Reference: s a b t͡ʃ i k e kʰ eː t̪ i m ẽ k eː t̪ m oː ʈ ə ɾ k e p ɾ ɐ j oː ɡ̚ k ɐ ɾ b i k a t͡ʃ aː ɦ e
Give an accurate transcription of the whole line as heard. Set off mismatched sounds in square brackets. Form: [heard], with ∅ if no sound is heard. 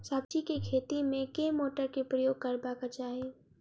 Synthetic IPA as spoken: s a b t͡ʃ i k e kʰ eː t̪ i m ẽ k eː [∅] m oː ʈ ə ɾ k e p ɾ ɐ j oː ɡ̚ k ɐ ɾ b [a] k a t͡ʃ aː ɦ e

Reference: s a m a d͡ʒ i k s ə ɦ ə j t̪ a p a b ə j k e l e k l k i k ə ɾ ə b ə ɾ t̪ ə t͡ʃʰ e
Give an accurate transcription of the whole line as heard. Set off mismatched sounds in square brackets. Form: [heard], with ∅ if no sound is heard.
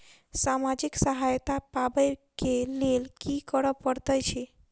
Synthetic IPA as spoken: s a m a d͡ʒ i k s ə ɦ [a] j t̪ a p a b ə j k e l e [∅] l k i k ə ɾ ə [p] ə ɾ t̪ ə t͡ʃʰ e

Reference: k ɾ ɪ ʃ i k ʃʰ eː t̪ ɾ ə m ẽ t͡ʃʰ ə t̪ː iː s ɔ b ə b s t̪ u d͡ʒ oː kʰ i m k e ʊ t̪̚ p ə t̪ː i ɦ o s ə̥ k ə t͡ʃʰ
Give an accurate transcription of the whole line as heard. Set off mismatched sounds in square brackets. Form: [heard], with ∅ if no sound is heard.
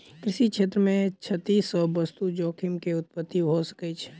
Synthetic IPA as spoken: k ɾ ɪ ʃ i k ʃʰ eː t̪ ɾ ə m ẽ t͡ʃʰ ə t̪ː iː s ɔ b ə [∅] s t̪ u d͡ʒ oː kʰ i m k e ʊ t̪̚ p ə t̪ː i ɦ o s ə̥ k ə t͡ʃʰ

